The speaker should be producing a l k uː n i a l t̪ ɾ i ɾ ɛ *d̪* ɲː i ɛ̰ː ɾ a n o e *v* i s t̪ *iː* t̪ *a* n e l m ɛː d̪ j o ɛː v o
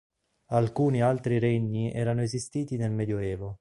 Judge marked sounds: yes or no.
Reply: no, no, yes, no

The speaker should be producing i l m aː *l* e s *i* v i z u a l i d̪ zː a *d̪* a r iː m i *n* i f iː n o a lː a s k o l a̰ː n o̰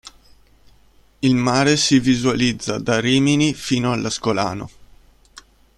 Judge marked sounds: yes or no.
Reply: no, yes, yes, yes

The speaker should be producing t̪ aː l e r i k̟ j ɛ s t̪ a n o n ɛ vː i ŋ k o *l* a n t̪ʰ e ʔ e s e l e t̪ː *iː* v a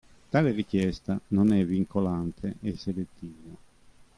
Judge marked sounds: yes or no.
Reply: yes, yes

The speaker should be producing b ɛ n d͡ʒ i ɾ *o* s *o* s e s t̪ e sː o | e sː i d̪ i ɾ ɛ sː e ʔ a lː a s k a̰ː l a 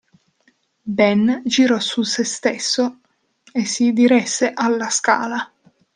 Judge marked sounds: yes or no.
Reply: no, no

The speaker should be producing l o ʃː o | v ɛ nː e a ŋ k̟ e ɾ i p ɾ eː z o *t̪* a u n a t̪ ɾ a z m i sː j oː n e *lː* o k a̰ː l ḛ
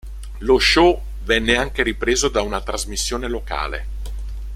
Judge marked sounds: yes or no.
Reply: no, no

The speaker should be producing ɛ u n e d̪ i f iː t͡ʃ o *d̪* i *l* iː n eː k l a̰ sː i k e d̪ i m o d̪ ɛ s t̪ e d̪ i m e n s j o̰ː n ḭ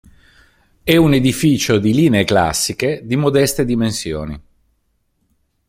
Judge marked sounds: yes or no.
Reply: yes, yes

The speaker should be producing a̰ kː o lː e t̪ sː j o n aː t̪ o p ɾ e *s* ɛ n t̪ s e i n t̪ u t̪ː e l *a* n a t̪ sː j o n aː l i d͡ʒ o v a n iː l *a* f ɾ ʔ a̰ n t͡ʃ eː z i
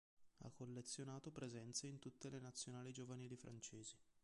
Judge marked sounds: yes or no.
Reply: no, no, no

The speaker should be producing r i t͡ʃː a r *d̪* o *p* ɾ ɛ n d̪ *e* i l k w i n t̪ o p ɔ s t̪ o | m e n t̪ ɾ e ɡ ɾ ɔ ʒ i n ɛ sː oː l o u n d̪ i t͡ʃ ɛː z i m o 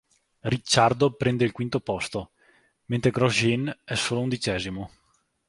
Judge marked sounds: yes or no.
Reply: yes, yes, yes

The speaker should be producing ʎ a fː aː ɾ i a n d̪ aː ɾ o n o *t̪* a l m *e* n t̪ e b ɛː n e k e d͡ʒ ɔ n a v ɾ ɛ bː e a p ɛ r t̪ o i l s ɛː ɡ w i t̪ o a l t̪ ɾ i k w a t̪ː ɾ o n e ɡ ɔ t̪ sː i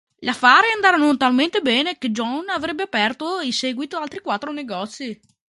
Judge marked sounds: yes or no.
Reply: yes, yes

